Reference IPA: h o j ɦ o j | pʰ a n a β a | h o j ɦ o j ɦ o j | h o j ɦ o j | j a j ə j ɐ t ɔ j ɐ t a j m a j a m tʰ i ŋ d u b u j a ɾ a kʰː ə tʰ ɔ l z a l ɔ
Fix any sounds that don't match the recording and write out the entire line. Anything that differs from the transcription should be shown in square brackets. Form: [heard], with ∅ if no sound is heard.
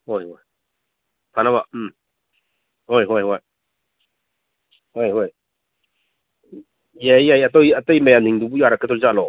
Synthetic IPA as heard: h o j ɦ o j | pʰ a n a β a | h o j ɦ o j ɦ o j | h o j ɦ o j | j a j [a] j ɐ t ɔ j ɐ t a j m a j a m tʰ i ŋ d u b u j a ɾ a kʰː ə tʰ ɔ l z a l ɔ